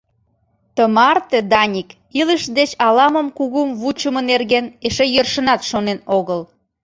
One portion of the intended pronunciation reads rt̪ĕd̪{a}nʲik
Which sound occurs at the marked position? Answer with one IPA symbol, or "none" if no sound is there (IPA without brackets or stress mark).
ɑ